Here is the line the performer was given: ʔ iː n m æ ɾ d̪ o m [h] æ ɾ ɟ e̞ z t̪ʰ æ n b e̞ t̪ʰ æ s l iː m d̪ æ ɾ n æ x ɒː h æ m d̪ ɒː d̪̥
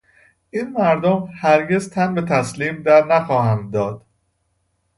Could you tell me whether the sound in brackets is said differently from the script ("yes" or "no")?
no